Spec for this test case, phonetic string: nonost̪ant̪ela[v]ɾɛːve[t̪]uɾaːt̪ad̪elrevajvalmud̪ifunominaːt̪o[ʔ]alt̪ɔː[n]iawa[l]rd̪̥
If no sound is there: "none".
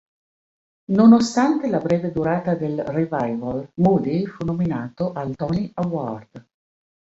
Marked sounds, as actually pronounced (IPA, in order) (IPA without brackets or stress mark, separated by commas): b, d̪, ʔ, n, none